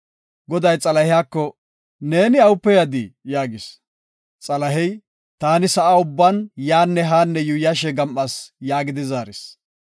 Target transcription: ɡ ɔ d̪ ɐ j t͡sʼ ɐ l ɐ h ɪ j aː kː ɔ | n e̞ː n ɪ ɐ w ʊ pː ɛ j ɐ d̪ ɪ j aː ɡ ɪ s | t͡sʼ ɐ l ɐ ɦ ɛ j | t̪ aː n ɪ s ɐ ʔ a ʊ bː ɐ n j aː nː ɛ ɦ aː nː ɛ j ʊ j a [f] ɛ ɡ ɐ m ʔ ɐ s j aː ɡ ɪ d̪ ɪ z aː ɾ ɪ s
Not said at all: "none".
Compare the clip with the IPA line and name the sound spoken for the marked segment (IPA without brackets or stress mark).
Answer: ʃ